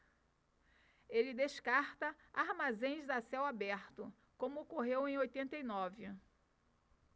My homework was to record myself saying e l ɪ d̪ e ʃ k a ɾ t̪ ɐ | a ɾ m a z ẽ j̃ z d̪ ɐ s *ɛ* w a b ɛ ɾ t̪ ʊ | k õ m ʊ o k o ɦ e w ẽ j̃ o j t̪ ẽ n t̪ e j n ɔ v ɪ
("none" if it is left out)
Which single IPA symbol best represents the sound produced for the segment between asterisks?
ɛ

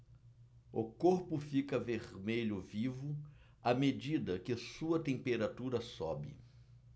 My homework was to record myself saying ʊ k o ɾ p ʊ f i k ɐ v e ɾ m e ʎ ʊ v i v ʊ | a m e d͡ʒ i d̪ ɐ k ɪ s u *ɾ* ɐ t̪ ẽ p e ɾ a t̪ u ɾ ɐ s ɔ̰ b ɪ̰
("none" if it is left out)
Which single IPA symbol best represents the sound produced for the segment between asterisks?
none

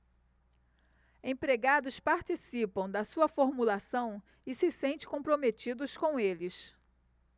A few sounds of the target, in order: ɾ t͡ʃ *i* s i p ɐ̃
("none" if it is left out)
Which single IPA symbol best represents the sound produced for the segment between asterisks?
i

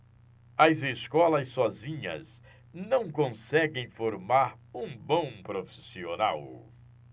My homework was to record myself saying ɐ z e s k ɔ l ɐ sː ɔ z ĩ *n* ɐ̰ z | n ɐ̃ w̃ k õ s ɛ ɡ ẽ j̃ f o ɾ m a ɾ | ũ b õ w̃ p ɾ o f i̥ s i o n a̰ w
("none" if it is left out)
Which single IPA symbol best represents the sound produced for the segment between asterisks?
ɲ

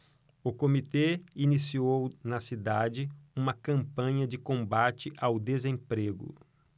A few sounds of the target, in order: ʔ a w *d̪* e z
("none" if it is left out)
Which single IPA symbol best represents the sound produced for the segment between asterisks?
d̪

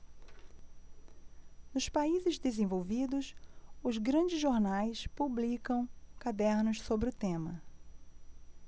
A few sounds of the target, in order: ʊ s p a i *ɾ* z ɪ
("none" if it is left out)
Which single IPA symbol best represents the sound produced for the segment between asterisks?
none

